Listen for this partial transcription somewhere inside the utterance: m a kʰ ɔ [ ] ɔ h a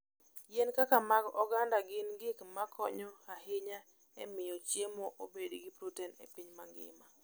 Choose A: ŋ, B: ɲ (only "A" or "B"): B